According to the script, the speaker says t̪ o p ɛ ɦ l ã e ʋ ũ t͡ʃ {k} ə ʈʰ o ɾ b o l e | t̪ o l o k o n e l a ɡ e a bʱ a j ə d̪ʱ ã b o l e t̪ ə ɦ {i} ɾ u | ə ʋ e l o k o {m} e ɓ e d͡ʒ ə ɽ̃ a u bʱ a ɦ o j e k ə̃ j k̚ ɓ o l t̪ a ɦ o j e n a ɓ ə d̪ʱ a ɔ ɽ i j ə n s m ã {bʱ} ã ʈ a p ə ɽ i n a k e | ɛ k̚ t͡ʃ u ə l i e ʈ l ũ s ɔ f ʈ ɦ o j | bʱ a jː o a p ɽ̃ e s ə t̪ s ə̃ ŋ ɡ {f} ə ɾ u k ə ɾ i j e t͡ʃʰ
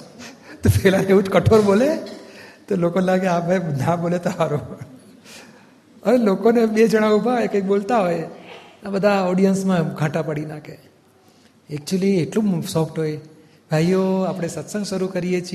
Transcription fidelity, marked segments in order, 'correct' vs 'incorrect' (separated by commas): correct, incorrect, incorrect, incorrect, incorrect